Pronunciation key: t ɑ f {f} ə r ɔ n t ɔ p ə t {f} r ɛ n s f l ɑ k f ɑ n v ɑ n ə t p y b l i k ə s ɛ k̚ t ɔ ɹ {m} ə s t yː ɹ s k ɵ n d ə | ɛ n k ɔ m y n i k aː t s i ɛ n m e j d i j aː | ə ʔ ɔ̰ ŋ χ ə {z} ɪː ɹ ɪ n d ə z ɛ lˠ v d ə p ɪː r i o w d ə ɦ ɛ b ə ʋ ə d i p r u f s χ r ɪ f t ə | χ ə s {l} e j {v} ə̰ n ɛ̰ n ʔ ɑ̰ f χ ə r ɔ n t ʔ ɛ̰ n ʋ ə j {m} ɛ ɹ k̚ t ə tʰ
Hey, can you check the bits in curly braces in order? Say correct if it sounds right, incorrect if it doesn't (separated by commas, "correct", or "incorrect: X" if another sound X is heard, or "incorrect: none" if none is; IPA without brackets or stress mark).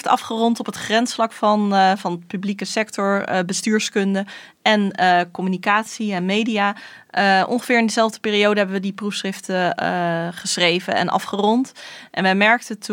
incorrect: χ, incorrect: χ, incorrect: b, incorrect: v, incorrect: r, correct, correct